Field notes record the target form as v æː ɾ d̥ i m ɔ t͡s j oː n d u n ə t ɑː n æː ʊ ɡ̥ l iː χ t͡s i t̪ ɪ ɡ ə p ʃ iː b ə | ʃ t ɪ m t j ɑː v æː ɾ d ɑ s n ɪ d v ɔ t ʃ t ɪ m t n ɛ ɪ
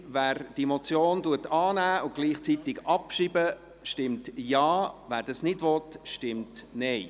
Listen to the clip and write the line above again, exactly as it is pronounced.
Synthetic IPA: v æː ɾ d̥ i m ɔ t͡s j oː n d u ə t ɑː n æː ʊ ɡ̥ l iː χ t͡s i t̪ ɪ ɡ ɑ p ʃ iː b ə | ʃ t ɪ m t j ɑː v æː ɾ d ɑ s n ɪ d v ɔ t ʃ t ɪ m t n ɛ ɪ